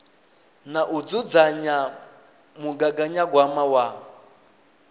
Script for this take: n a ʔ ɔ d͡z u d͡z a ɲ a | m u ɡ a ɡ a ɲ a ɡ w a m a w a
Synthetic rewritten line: n a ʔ u d͡z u d͡z a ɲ a | m u ɡ a ɡ a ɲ a ɡ w a m a w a